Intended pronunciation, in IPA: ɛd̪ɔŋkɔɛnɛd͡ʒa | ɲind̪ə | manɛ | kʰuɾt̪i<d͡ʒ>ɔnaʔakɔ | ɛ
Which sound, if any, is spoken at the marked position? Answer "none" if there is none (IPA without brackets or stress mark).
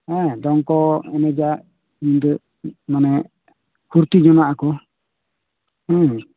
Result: d͡ʒ